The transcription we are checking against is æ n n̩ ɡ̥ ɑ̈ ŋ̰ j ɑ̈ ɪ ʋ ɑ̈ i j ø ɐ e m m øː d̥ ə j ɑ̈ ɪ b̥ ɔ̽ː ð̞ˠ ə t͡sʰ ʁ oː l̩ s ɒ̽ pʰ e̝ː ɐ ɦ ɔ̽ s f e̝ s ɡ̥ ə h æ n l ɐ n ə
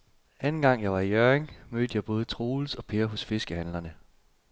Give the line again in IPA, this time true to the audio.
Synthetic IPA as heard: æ n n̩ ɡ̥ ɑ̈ ŋ̰ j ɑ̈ ɪ ʋ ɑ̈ i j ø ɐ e ŋ m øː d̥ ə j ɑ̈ ɪ b̥ ɔ̽ː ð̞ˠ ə t͡sʰ ʁ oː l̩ s ɒ̽ pʰ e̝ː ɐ ɦ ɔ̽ s f e̝ s ɡ̥ ə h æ n l ɐ n ə